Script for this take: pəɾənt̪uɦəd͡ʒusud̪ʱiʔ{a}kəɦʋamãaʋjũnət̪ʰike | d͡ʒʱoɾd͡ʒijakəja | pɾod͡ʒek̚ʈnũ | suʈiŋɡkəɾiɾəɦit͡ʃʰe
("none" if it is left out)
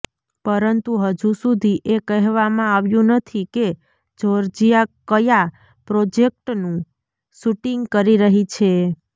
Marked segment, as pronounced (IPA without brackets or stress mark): e